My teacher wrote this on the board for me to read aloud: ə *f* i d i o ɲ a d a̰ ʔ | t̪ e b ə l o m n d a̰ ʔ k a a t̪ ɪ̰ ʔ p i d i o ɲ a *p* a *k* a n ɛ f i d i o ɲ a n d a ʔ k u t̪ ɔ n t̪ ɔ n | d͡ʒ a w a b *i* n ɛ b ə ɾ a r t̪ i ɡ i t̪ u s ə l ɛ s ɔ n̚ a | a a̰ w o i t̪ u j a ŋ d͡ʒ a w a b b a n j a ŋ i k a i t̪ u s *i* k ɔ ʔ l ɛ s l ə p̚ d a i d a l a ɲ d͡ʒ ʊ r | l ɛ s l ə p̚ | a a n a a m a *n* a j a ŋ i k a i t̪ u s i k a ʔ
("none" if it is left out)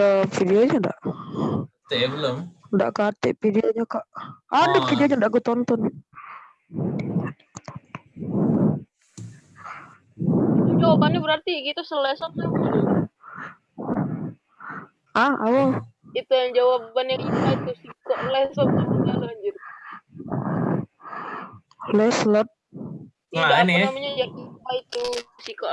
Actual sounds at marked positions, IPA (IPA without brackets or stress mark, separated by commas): f, k, ʔ, a, i, ɲ